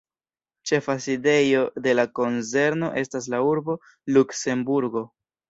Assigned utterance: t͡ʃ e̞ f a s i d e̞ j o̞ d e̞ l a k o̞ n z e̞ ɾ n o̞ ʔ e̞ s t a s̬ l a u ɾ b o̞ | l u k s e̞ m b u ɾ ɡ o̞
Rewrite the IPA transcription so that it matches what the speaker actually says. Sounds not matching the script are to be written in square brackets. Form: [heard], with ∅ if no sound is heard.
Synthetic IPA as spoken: t͡ʃ e̞ f a s i d e̞ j o̞ d e̞ l a k o̞ n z e̞ ɾ n o̞ ʔ e̞ s t a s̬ l a u ɾ b o̞ | l u k s e̞ m b u ɾ ɡ o̞